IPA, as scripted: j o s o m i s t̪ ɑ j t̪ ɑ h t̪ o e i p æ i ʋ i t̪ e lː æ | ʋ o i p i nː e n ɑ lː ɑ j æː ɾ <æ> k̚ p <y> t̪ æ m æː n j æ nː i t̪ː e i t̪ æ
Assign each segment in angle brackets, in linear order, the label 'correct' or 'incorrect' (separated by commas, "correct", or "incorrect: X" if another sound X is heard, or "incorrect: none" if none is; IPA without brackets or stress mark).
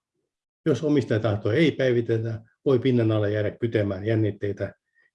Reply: correct, correct